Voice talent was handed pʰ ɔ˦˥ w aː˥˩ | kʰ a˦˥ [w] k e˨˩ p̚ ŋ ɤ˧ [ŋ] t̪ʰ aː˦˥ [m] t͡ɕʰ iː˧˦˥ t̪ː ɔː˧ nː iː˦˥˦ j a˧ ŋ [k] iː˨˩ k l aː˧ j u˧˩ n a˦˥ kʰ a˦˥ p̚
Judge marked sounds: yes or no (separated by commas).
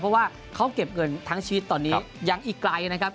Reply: yes, no, no, no